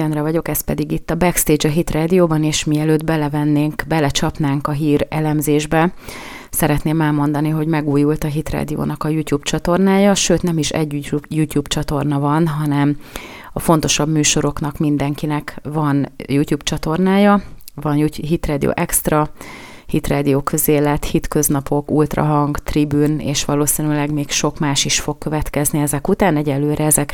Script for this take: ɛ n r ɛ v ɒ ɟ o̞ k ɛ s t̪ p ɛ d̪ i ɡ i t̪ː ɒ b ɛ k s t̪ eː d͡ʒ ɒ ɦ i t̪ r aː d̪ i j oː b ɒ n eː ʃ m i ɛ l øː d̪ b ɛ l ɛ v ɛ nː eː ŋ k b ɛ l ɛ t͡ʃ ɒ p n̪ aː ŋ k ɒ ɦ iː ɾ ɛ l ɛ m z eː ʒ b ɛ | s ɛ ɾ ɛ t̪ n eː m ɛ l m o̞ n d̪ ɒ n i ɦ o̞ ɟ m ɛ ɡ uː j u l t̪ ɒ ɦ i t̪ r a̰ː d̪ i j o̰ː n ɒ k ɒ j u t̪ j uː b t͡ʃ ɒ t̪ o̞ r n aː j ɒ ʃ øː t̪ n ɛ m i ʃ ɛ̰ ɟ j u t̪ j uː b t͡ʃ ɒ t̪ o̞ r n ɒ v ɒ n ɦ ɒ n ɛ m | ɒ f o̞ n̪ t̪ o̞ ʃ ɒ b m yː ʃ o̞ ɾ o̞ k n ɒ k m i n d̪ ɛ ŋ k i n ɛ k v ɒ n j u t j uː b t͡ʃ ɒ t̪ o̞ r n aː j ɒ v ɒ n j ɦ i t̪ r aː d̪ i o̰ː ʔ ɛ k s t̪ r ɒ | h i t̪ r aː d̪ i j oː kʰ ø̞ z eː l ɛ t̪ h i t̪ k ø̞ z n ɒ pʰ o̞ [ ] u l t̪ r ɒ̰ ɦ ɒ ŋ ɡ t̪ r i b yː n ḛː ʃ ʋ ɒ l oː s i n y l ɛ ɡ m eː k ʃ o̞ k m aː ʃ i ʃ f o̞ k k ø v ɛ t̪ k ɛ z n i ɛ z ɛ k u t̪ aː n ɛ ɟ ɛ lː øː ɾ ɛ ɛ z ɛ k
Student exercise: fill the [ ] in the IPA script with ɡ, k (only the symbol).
k